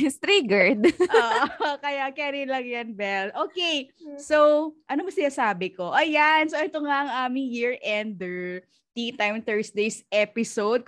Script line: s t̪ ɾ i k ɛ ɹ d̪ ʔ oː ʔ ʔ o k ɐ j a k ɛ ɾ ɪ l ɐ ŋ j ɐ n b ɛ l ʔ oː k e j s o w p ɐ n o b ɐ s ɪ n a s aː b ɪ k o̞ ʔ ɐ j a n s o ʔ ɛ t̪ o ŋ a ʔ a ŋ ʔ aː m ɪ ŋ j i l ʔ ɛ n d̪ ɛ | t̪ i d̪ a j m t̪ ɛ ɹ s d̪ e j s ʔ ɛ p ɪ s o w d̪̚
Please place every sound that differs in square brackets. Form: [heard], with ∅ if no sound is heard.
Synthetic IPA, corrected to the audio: s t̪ ɾ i [ɡ] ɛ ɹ d̪ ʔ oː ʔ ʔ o k ɐ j a k ɛ ɾ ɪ l ɐ ŋ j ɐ n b ɛ l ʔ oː k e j s o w [ʔ] ɐ n o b ɐ s ɪ n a s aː b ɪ k o̞ ʔ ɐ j a n s o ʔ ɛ t̪ o ŋ a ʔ [ɐ] ŋ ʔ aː m ɪ ŋ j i [ɹ] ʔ ɛ n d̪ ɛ | t̪ i [t̪] a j m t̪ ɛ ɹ s d̪ e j s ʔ ɛ p ɪ s o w d̪̚